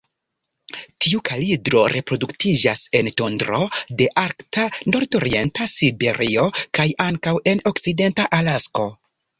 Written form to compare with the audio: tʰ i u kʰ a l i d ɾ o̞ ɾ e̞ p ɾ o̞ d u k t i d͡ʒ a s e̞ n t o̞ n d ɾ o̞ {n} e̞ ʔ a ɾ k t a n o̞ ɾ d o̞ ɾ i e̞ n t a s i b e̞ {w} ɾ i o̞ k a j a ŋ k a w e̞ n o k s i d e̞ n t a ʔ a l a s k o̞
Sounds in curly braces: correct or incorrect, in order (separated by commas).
incorrect, incorrect